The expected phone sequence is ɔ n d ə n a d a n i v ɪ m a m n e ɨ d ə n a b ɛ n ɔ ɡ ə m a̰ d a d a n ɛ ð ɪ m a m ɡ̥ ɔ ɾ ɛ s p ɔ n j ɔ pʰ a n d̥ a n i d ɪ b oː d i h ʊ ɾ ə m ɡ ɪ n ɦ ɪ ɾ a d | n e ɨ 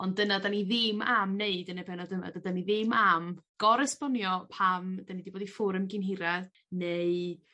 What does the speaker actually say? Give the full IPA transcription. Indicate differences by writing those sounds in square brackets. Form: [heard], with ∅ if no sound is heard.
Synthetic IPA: ɔ n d ə n a d a n i [ð] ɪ m a m n e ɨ d ə n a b ɛ n ɔ [d] ə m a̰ d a d a n [i] ð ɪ m a m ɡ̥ ɔ ɾ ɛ s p ɔ n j ɔ pʰ a [m] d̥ a n i d [i] b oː d i [f] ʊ ɾ ə m ɡ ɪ n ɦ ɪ ɾ a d | n e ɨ